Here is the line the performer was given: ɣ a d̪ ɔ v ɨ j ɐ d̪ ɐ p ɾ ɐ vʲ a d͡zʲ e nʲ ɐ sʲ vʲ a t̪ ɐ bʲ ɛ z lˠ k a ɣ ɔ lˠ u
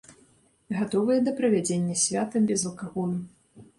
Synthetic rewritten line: ɣ a t̪ ɔ v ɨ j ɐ d̪ ɐ p ɾ ɐ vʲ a d͡zʲ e nʲː ɐ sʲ vʲ a t̪ ɐ bʲ ɛ z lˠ k a ɣ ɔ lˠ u